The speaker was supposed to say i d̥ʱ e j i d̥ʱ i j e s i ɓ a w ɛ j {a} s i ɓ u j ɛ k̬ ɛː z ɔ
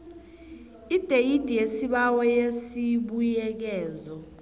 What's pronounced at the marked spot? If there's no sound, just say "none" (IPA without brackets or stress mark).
e